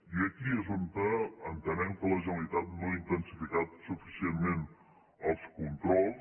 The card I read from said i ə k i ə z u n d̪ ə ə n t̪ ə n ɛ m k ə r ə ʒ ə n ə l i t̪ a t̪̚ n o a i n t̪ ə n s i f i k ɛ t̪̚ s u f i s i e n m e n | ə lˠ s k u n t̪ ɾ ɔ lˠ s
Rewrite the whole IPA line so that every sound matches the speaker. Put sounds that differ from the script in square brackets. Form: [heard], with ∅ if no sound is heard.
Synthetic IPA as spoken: i ə k i ə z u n [t̪] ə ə n t̪ ə n ɛ m k ə [l] ə ʒ ə n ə l i t̪ a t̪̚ n o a i n t̪ ə n s i f i k [a] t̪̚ s u f i s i e n m e n | ə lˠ s k u n t̪ ɾ ɔ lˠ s